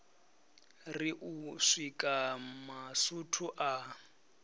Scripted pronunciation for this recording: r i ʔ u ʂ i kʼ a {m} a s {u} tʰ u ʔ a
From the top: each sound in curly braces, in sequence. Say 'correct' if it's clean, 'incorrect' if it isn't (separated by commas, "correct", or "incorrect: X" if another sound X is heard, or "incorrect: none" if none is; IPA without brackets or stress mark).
correct, correct